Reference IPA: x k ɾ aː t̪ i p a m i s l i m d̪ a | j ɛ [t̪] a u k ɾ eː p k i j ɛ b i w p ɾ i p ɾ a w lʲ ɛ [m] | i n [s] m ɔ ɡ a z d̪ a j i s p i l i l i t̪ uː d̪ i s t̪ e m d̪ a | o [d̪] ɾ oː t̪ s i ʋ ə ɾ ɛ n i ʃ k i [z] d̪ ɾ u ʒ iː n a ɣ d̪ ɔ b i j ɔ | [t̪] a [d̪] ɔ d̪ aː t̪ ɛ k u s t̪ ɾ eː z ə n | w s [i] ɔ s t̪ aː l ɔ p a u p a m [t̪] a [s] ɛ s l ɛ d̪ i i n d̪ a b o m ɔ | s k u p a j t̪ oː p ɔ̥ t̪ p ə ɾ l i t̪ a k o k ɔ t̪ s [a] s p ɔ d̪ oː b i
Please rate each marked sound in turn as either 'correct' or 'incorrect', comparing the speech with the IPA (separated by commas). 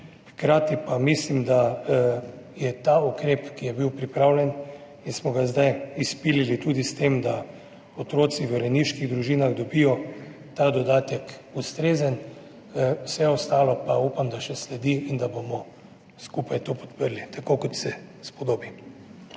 correct, incorrect, correct, incorrect, incorrect, correct, correct, incorrect, incorrect, incorrect, incorrect